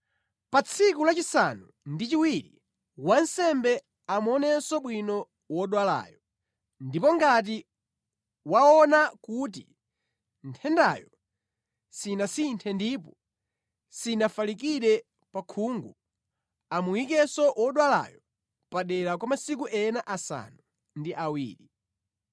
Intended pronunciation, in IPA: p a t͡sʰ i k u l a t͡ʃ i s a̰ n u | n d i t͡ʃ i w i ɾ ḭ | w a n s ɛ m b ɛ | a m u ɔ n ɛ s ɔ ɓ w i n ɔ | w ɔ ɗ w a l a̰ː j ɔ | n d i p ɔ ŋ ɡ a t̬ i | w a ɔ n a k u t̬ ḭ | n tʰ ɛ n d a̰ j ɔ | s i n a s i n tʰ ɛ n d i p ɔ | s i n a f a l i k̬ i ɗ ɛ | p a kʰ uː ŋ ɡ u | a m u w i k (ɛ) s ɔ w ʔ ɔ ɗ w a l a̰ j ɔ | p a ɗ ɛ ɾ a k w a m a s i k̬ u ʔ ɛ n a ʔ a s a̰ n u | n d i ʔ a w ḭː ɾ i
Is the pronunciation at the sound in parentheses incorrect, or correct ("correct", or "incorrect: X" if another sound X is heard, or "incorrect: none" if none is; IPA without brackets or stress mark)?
correct